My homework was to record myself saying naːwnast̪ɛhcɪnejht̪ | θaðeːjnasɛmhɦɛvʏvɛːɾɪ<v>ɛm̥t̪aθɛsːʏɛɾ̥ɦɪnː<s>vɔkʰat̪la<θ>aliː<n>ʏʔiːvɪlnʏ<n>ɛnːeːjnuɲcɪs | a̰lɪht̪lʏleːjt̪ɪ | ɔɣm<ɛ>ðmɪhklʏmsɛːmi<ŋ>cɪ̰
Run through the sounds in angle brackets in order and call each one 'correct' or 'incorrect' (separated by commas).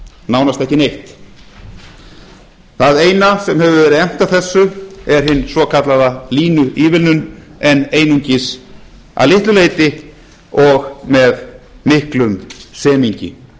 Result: incorrect, correct, incorrect, correct, correct, correct, incorrect